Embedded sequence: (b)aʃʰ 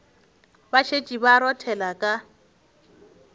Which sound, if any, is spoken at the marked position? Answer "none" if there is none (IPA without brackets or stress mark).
b